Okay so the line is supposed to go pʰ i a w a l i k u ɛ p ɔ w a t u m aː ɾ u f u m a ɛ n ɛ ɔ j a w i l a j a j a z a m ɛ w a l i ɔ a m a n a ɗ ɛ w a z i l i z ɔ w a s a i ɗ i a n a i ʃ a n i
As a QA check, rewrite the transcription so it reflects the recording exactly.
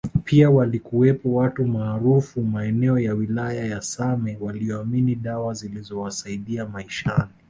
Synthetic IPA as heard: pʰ i a w a l i k u ɛ p ɔ w a t u m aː ɾ u f u m a ɛ n ɛ ɔ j a w i l a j a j a s a m ɛ w a l i ɔ a m i n i ɗ a w a z i l i z ɔ w a s a i ɗ i a m a i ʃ a n i